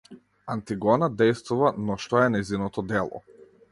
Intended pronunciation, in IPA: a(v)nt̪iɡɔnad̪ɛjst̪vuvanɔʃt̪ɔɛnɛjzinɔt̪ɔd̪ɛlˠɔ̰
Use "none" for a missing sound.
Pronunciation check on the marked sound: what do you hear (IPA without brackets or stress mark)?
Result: none